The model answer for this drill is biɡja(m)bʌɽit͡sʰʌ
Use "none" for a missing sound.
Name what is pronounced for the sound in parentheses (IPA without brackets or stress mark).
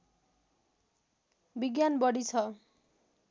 n